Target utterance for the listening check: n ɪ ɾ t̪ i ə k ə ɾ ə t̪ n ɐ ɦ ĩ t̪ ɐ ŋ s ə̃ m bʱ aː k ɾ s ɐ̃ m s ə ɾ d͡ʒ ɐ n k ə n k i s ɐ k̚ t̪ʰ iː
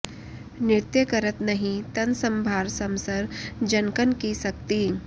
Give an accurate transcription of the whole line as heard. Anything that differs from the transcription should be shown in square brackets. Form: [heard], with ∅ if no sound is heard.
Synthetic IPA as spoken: n ɪ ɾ t̪ [j] ə k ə ɾ ə t̪ n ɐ ɦ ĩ t̪ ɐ [n] s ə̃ m bʱ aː [∅] ɾ s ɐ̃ m s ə ɾ d͡ʒ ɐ n k ə n k i s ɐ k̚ [t̪] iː

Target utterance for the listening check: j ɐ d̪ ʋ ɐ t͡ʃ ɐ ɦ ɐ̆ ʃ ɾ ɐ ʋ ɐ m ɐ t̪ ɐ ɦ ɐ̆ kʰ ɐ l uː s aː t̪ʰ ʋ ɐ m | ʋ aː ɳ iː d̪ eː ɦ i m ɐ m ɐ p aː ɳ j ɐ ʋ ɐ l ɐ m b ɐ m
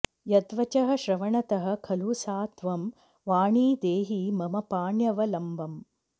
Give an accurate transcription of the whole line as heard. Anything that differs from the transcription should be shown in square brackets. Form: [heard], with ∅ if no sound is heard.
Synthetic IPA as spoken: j ɐ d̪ ʋ ɐ t͡ʃ ɐ ɦ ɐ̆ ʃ ɾ ɐ ʋ ɐ [ɳ] ɐ t̪ ɐ ɦ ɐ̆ kʰ ɐ l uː s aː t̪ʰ ʋ ɐ m | ʋ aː ɳ iː d̪ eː ɦ i m ɐ m ɐ p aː ɳ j ɐ ʋ ɐ l ɐ m b ɐ m

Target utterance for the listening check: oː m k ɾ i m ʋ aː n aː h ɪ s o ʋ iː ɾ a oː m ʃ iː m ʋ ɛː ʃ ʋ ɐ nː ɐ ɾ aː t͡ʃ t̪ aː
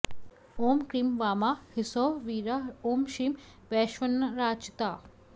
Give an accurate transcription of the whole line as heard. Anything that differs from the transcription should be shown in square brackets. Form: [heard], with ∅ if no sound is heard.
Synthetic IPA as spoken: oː m k ɾ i m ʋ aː [m] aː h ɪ s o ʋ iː ɾ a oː m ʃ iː m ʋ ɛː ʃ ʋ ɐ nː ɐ ɾ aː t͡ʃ t̪ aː

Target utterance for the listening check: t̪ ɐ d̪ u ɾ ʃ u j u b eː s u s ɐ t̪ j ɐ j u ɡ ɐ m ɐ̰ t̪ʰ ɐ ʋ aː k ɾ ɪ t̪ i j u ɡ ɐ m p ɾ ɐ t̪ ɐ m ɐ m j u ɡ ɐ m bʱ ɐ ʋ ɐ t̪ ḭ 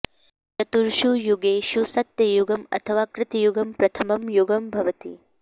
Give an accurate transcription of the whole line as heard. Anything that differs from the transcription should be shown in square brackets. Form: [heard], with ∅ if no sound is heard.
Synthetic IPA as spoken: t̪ ɐ [t̪] u ɾ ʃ u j u [ɡ] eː [ʃ] u s ɐ t̪ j ɐ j u ɡ ɐ m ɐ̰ t̪ʰ ɐ ʋ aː k ɾ ɪ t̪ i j u ɡ ɐ m p ɾ ɐ [t̪ʰ] ɐ m ɐ m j u ɡ ɐ m bʱ ɐ ʋ ɐ t̪ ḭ

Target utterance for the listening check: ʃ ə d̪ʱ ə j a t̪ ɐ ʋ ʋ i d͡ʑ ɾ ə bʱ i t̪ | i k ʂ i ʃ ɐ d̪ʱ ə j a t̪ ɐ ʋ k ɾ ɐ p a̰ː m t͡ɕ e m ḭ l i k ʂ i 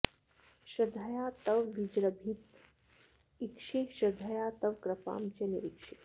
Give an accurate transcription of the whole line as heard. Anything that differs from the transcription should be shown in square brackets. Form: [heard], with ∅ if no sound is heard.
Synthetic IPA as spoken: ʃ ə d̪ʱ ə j a t̪ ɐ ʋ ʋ i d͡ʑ ɾ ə bʱ i t̪ | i k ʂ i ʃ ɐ d̪ʱ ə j a t̪ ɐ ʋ k ɾ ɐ p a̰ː m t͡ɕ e [n] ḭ [ɾ] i k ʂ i

